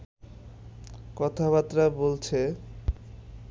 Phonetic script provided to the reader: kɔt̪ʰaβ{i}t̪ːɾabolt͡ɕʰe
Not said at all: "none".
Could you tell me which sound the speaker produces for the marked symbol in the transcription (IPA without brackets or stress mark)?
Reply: a